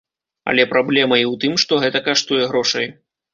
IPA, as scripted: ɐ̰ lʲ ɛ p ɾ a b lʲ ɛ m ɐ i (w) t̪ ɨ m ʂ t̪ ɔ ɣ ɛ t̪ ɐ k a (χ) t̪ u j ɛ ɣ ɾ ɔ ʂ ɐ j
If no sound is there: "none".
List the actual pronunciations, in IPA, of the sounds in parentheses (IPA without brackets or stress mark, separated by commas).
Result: w, ʂ